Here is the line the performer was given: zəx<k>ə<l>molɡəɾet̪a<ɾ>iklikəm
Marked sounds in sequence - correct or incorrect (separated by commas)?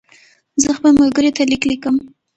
incorrect, correct, incorrect